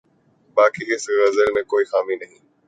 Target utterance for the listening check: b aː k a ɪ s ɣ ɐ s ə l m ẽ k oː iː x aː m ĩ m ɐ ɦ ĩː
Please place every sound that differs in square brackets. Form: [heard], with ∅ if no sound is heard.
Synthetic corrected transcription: b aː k [i] ɪ s ɣ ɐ [z] ə l m ẽ k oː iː x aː m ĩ [n] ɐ ɦ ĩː